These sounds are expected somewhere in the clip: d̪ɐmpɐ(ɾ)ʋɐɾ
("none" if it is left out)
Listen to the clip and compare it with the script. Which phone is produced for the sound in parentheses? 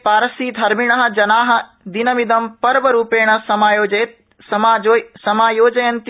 ɾ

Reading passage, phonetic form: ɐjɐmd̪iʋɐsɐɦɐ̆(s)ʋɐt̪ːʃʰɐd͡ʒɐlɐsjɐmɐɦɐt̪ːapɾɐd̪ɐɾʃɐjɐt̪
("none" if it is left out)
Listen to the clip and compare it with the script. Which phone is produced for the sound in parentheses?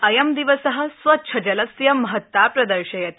s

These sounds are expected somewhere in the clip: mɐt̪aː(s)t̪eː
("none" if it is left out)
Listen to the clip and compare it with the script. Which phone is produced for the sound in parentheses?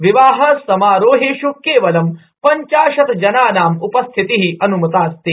s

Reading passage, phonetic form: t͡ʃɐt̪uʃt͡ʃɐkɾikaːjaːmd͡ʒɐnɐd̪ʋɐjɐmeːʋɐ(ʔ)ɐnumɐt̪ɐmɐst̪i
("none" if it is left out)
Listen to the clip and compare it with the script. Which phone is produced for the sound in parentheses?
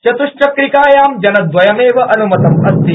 ʔ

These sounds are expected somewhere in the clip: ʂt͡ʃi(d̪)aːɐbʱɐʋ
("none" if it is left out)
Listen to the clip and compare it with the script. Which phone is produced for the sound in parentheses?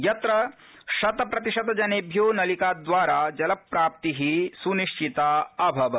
t̪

